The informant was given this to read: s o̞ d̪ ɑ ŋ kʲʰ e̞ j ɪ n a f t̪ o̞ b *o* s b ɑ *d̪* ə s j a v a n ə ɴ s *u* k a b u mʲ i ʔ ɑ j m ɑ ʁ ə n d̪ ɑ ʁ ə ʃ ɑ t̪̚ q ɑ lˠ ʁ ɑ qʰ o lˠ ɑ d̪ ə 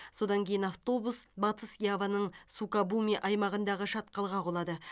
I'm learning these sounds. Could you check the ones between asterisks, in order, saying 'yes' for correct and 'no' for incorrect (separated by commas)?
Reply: no, no, yes